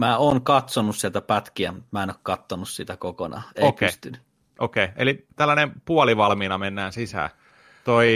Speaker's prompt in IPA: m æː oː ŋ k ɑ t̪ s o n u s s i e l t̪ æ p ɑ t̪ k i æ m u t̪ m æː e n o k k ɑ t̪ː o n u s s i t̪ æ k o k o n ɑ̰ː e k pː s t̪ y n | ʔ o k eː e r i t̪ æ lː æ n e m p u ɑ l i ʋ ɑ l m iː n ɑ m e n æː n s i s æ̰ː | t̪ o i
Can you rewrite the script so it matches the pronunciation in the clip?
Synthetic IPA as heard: m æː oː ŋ k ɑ t̪ s o n u s s i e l t̪ æ p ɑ t̪ k i æ m u t̪ m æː e n o k k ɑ t̪ː o n u s s i t̪ æ k o k o n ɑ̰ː e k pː s t̪ y n | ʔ o k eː e l i t̪ æ lː æ n e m p u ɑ l i ʋ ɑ l m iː n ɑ m e nː æː n s i s æ̰ː | t̪ o i